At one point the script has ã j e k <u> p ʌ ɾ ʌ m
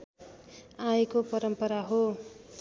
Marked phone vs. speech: incorrect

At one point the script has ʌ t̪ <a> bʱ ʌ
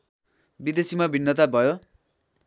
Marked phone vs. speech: correct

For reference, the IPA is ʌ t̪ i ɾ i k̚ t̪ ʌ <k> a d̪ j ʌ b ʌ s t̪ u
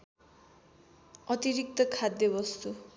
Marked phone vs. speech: incorrect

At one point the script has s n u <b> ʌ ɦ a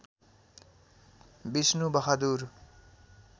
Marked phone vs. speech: correct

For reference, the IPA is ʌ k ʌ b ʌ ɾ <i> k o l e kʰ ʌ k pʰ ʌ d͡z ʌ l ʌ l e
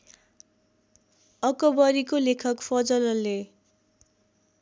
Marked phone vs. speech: correct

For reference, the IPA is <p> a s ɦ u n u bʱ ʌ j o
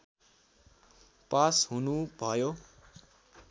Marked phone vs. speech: correct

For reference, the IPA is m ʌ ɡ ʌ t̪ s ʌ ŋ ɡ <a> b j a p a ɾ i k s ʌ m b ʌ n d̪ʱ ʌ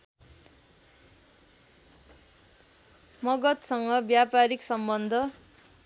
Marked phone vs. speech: incorrect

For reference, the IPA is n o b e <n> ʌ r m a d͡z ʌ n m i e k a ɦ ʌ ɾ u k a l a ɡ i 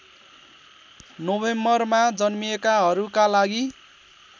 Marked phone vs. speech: incorrect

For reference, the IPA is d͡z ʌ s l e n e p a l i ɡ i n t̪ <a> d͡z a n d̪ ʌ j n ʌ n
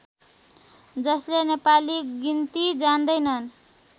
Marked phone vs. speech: incorrect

